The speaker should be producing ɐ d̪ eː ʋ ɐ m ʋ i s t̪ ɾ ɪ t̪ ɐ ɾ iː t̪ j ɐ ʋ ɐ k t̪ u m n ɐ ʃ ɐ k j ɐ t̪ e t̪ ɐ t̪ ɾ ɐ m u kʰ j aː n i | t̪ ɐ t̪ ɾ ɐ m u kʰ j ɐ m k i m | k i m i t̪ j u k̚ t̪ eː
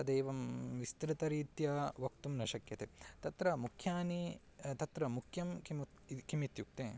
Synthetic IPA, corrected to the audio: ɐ d̪ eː ʋ ɐ m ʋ i s t̪ ɾ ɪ t̪ ɐ ɾ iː t̪ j ɐ ʋ ɐ k t̪ u m n ɐ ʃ ɐ k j ɐ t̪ e t̪ ɐ t̪ ɾ ɐ m u kʰ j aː n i | t̪ ɐ t̪ ɾ ɐ m u kʰ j ɐ m k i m | k i m i t̪ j u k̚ t̪ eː